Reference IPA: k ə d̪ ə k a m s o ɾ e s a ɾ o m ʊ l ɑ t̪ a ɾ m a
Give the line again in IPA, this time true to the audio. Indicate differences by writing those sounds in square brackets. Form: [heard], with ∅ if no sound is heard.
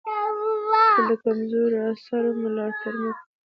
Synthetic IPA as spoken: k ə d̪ ə k a m [z] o ɾ [a] s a ɾ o m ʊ l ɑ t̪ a ɾ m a